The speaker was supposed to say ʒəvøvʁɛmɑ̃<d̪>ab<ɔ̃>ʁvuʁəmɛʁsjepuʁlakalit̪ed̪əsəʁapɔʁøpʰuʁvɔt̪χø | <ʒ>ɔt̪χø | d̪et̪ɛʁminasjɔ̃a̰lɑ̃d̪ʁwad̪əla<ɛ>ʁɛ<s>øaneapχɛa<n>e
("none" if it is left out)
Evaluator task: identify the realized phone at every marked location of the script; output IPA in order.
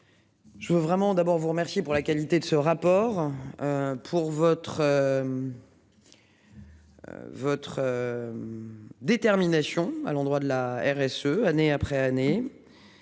d̪, ɔ, v, ɛ, s, n

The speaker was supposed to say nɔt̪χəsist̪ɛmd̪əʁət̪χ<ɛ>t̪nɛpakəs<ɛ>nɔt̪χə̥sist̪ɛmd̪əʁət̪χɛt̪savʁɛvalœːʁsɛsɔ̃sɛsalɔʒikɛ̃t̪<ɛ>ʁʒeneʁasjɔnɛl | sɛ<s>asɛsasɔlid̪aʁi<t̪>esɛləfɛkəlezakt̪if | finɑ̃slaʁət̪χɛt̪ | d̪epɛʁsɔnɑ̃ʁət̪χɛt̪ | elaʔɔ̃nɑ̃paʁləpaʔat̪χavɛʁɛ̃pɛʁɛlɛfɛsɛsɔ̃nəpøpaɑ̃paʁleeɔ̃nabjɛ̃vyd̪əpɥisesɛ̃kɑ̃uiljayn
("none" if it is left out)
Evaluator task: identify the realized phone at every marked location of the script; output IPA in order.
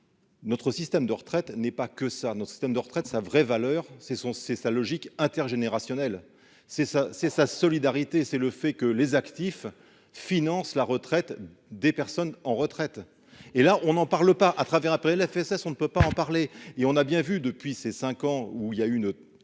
ɛ, a, ɛ, s, t̪

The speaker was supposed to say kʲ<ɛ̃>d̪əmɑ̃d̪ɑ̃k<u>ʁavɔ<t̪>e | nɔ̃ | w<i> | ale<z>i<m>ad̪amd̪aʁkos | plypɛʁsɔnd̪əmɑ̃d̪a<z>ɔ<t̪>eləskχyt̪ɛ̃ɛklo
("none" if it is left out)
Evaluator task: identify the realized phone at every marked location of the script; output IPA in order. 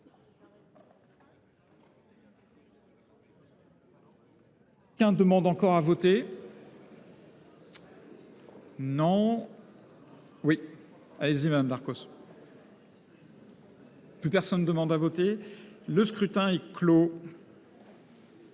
ɛ̃, ɔ, t̪, i, z, m, v, t̪

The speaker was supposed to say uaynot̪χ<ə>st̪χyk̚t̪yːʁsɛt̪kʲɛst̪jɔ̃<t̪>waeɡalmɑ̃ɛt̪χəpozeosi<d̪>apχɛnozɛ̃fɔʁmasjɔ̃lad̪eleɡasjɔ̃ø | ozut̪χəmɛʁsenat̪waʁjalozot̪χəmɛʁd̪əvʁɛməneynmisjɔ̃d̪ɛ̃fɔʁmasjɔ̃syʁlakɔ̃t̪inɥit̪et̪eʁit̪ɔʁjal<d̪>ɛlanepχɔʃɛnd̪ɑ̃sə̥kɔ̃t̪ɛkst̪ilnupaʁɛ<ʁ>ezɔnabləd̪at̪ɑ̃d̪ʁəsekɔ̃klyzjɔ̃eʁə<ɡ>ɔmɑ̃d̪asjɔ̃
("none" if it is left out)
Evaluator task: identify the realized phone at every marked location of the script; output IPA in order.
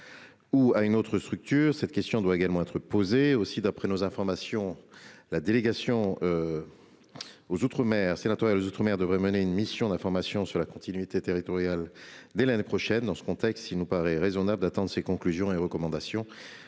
ə, d̪, d̪, d̪, ʁ, k

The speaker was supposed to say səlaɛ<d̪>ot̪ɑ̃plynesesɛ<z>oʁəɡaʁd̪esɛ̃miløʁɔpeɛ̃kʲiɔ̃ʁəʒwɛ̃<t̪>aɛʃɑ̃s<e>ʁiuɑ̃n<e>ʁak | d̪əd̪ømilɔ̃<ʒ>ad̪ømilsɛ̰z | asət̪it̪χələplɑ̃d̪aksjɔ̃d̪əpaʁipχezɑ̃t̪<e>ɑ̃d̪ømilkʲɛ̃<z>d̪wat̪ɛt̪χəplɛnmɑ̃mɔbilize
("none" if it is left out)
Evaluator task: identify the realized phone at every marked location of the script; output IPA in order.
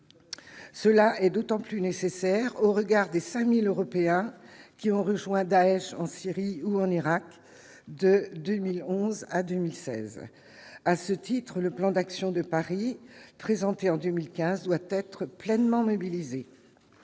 d̪, ʁ, d̪, i, i, z, e, z

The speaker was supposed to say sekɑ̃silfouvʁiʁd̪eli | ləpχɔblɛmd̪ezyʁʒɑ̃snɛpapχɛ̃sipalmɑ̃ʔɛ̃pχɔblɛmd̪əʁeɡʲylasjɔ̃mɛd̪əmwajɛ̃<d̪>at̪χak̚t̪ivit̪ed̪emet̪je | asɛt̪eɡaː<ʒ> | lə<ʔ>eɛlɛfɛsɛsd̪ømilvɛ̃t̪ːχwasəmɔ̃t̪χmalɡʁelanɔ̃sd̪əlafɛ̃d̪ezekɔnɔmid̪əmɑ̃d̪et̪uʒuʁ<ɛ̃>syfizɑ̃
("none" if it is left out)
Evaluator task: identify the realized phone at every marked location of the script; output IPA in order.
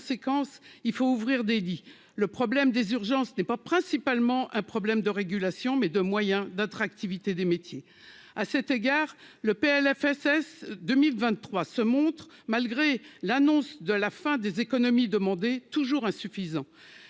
d̪, ʁ, p, ɛ̃

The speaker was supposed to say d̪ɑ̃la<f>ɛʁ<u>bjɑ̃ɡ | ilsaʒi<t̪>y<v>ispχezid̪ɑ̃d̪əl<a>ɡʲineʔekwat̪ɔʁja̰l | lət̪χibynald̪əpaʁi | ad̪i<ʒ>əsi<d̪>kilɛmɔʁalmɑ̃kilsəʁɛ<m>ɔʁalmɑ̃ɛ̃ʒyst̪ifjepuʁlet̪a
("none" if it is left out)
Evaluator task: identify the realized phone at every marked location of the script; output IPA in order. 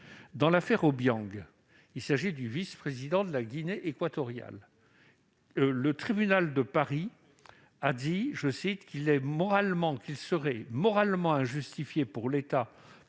f, o, d̪, v, a, ʒ, t̪, m

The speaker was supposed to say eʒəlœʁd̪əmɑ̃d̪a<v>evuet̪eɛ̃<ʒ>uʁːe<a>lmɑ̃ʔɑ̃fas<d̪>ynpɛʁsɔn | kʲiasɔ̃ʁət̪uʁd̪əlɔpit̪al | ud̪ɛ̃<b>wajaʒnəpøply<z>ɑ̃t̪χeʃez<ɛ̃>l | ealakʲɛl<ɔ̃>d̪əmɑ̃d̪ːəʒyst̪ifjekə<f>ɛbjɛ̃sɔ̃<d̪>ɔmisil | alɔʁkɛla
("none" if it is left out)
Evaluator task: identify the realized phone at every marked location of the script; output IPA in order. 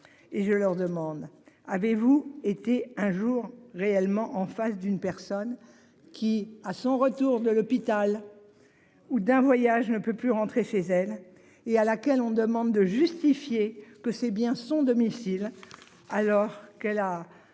v, ʒ, ɛ, d̪, v, ʁ, ɛ, ɔ̃, s, d̪

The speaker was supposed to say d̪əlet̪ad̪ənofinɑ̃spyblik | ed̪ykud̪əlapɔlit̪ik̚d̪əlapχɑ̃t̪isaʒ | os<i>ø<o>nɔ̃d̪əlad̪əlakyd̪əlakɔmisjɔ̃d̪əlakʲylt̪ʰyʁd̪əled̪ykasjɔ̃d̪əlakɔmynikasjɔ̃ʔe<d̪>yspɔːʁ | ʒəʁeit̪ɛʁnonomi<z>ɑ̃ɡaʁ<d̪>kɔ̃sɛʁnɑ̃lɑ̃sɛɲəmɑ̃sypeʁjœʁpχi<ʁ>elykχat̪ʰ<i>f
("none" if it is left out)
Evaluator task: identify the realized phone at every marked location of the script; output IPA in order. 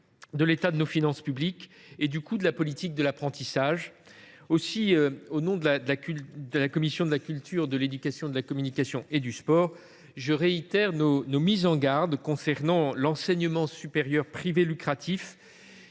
i, o, d̪, z, d̪, v, i

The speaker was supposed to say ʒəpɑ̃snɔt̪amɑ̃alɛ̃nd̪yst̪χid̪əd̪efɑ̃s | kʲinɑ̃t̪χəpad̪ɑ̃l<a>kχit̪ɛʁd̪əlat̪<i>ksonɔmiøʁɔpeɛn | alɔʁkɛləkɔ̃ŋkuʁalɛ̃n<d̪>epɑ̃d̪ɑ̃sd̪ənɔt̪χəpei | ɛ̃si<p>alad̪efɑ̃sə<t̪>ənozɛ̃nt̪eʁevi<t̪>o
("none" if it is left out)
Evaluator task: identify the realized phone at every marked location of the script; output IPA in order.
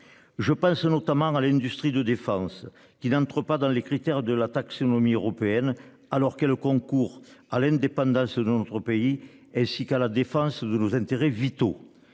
e, a, d̪, k, d̪, t̪

